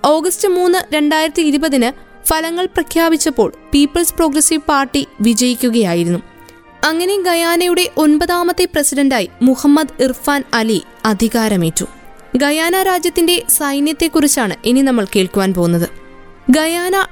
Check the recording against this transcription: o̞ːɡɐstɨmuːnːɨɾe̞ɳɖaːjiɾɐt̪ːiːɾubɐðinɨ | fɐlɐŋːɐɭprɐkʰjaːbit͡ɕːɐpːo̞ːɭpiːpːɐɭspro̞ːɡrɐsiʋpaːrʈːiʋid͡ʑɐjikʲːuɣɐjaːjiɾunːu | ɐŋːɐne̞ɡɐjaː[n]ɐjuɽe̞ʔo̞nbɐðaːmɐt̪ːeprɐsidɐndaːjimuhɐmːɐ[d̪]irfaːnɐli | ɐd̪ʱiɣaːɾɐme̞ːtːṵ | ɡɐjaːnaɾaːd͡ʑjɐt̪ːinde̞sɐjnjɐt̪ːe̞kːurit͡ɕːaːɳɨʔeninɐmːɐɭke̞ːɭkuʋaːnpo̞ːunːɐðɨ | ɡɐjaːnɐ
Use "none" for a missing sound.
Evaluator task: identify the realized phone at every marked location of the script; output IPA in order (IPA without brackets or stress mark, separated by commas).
n, d̪